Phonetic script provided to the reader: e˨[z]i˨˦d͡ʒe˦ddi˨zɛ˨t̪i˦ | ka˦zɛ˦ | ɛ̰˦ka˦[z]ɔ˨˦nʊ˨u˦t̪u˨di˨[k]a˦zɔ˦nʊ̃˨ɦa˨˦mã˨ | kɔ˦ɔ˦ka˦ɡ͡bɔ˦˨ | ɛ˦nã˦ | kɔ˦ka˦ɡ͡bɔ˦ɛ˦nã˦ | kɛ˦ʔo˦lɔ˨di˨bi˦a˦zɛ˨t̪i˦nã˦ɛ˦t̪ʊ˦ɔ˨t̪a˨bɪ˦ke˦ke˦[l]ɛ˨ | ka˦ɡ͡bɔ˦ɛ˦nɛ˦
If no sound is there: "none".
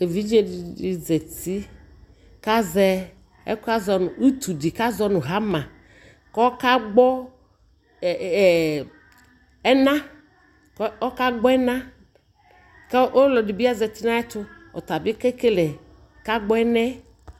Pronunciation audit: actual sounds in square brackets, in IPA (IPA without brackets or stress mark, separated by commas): v, z, k, l